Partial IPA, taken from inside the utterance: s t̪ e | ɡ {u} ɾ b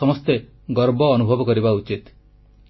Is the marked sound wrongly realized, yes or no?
yes